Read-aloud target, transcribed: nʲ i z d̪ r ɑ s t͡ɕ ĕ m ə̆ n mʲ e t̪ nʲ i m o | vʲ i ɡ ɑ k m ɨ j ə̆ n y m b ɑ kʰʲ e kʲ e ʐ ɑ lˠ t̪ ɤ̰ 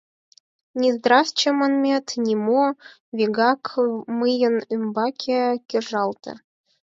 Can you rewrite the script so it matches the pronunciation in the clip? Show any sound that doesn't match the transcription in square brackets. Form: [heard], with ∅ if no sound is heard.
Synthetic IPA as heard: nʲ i z d̪ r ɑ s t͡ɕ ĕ m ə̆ n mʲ e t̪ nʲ i m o | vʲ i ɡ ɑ k m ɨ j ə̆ n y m b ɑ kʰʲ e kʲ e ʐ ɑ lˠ t̪ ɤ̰